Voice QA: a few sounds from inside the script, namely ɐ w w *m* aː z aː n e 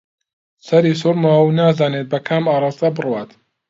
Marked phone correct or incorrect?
incorrect: n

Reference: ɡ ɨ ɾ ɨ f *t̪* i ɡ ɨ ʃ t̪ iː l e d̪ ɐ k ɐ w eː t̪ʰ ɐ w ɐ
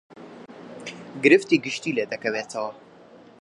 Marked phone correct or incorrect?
correct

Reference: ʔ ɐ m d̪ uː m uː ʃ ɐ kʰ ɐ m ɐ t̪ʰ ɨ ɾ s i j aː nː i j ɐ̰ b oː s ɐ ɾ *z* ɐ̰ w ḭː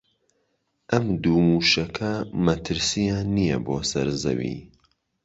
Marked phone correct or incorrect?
correct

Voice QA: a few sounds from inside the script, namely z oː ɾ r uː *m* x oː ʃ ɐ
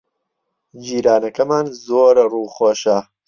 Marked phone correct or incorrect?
incorrect: none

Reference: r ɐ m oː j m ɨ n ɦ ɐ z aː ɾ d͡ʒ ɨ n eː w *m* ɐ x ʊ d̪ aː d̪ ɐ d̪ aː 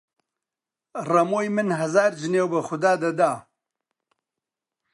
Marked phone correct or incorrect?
incorrect: b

